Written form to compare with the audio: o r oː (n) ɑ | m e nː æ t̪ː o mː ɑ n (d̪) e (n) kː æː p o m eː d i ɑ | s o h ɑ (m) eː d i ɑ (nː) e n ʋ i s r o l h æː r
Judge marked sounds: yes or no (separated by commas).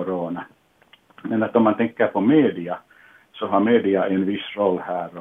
yes, no, no, yes, no